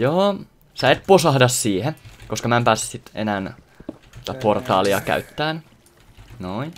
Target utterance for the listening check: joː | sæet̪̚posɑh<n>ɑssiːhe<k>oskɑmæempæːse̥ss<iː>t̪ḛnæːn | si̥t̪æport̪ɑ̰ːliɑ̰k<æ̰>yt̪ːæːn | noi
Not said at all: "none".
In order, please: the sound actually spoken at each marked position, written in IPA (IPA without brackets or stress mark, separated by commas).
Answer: d, k, i, æ̰